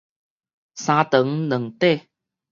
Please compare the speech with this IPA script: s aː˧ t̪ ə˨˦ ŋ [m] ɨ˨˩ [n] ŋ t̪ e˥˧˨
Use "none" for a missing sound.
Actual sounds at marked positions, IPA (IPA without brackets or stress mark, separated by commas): n, none